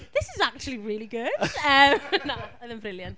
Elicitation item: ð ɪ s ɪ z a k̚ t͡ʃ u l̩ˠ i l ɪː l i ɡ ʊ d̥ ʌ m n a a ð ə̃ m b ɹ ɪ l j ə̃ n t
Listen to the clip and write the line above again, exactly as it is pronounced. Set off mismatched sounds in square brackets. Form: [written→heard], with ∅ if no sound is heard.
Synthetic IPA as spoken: ð ɪ s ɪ z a k̚ t͡ʃ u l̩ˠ i [l→ɹ] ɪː l i ɡ ʊ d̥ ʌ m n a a ð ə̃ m b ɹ ɪ l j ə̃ n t